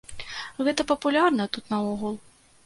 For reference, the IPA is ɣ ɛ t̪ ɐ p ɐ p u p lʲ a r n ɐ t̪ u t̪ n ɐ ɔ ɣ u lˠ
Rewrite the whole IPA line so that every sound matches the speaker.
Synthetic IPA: ɣ ɛ t̪ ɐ p ɐ p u lʲ a r n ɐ t̪ u t̪ n ɐ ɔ ɣ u lˠ